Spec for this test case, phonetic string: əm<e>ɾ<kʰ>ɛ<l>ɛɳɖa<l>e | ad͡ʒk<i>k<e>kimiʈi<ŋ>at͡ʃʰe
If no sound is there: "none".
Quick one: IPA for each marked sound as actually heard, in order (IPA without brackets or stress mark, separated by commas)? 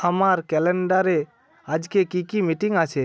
a, k, l, ɾ, e, i, ŋ